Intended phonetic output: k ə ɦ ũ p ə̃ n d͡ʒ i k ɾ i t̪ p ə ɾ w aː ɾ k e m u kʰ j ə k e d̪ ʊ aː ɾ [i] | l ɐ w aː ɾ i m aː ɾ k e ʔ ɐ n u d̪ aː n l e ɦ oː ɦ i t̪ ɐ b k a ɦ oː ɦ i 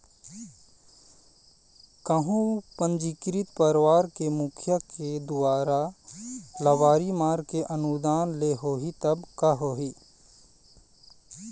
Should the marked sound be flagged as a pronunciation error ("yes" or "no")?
yes